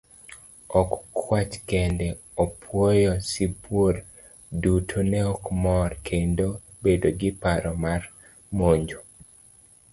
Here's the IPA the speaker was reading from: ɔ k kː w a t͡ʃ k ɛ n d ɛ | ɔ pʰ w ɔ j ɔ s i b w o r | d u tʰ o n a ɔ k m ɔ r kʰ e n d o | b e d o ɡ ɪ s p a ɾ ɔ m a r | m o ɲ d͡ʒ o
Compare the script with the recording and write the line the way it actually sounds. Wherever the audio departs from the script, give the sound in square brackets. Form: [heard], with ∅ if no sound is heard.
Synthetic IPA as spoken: ɔ k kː w a t͡ʃ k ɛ n d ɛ | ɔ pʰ w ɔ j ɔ s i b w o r | d u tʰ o n [ɛ] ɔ k m ɔ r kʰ e n d o | b e d o ɡ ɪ [∅] p a ɾ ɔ m a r | m o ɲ d͡ʒ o